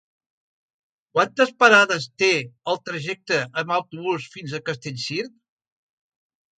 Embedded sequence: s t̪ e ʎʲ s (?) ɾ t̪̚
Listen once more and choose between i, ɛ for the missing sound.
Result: i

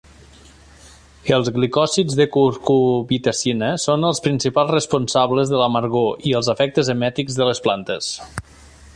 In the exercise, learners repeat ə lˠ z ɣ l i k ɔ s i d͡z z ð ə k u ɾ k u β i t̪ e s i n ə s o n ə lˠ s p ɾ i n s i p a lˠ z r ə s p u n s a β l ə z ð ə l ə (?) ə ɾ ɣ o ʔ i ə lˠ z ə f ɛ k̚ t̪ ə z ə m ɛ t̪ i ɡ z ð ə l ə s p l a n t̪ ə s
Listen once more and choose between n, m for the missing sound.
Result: m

